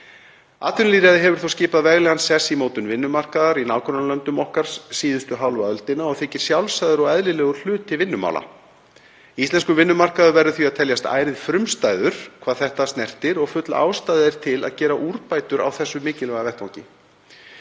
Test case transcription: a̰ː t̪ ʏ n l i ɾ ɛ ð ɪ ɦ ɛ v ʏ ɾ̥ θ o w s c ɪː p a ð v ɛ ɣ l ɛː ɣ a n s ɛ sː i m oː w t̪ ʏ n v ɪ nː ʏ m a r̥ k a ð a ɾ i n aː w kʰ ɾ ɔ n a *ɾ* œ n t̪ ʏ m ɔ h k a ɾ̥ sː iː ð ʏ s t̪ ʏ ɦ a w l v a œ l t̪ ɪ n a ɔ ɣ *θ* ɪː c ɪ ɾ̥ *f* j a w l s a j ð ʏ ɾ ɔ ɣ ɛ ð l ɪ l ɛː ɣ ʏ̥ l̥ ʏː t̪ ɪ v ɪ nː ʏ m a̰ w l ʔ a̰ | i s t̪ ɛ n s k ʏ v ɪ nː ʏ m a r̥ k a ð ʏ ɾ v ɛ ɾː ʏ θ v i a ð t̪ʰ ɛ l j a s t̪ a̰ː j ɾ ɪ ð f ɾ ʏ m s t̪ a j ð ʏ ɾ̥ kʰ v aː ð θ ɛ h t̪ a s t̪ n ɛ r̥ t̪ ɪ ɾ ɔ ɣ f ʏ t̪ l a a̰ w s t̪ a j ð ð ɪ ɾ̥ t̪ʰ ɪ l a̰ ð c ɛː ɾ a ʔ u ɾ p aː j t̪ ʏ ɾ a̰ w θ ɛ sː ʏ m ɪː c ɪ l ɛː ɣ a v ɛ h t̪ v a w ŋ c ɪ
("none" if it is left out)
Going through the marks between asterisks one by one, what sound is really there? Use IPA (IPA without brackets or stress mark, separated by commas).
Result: l, θ, s